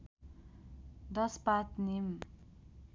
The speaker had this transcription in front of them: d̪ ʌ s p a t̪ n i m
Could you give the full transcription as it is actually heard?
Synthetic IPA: d̪ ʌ s p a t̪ n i m